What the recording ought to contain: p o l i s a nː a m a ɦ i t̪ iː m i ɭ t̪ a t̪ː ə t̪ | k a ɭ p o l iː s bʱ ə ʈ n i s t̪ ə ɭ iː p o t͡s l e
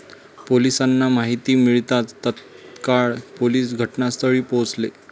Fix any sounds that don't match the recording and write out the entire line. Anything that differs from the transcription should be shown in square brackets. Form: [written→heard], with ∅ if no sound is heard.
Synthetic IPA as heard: p o l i s a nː a m a ɦ i t̪ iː m i ɭ t̪ a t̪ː ə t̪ | k a ɭ p o l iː s [bʱ→ɡʱ] ə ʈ n [i→a] s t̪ ə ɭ iː p o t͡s l e